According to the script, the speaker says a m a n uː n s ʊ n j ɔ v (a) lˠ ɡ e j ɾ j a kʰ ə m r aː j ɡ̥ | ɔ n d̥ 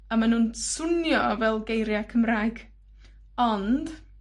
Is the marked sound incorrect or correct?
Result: incorrect